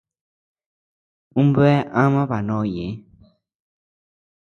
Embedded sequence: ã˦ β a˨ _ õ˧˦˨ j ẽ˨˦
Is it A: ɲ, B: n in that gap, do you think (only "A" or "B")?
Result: B